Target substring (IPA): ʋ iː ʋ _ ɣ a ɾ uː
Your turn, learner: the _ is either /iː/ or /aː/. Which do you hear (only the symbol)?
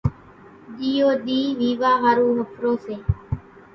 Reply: aː